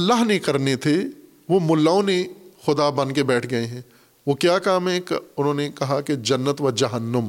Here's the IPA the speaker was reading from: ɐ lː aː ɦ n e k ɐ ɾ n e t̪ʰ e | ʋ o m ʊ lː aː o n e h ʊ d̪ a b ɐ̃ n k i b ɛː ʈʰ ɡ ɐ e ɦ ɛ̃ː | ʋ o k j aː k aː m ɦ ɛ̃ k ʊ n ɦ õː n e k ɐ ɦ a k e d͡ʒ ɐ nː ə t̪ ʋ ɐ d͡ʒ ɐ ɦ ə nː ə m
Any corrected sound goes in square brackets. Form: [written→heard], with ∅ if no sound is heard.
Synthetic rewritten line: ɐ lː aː ɦ n e k ɐ ɾ n e t̪ʰ e | ʋ o m ʊ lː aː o n e [h→x] ʊ d̪ a b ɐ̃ n k [i→e] b ɛː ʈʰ ɡ ɐ e ɦ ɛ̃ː | ʋ o k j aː k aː m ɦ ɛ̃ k ʊ n ɦ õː n e k ɐ ɦ a k e d͡ʒ ɐ nː ə t̪ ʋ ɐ d͡ʒ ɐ ɦ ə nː ə m